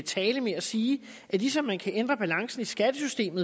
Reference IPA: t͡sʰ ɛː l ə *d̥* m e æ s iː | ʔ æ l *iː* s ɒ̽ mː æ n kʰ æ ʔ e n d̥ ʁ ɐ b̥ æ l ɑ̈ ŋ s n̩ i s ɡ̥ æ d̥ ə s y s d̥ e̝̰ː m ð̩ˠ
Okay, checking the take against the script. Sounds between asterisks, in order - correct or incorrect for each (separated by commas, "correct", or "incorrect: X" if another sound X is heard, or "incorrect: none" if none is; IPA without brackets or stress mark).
incorrect: none, incorrect: i